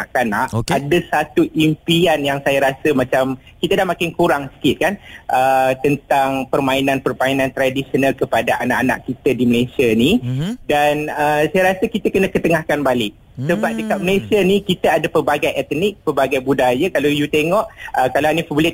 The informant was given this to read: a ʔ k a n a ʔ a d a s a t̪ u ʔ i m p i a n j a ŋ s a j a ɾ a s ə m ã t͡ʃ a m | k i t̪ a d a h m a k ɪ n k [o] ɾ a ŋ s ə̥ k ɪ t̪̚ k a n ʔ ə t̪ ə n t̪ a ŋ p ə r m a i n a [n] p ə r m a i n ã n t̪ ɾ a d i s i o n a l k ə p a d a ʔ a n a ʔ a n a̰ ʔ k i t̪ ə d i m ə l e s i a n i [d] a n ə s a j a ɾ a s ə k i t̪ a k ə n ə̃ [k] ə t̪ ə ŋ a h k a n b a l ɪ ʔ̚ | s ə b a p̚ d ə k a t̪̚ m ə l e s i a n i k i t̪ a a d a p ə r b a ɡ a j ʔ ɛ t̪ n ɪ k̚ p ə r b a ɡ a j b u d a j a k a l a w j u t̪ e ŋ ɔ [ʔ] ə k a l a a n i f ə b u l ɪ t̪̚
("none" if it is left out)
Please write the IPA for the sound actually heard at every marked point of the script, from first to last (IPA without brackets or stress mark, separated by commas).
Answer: u, n, d, k, ʔ